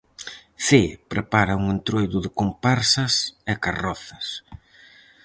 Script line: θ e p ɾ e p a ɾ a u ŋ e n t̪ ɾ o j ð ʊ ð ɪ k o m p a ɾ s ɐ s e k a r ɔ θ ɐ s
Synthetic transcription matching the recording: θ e p ɾ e p a ɾ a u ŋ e n t̪ ɾ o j ð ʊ ð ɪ k o m p a ɾ s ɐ s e k a r ɔ θ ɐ s